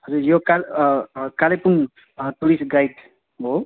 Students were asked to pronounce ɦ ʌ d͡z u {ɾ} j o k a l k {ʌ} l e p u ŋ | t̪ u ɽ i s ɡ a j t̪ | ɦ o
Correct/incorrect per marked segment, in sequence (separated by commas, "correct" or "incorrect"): correct, incorrect